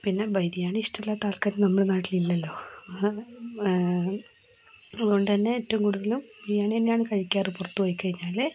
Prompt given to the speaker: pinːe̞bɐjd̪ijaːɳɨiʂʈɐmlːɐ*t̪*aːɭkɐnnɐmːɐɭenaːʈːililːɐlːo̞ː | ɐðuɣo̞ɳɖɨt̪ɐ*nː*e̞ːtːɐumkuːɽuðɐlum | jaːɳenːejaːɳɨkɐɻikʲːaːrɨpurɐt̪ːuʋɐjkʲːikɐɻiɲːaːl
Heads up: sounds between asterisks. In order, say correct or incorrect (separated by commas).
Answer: correct, correct